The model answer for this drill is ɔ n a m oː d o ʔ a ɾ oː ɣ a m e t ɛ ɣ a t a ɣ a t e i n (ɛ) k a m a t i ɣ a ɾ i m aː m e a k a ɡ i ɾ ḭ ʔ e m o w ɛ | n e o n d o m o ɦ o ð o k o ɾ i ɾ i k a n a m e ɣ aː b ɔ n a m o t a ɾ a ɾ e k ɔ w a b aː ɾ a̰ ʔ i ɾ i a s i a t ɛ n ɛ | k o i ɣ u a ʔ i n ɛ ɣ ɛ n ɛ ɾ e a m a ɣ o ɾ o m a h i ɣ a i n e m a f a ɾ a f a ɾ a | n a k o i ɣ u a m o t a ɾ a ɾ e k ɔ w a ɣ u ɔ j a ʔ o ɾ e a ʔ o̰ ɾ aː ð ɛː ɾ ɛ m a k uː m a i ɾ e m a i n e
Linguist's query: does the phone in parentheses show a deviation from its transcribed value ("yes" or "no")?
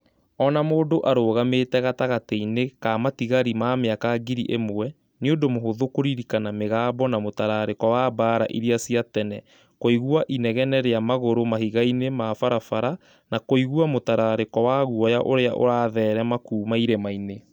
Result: yes